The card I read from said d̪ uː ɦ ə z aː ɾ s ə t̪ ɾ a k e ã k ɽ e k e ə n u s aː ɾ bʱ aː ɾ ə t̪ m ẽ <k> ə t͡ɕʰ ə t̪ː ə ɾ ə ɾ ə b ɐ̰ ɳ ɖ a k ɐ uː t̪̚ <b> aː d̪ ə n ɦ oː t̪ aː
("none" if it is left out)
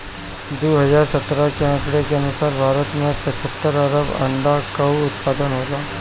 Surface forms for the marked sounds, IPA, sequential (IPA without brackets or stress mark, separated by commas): p, p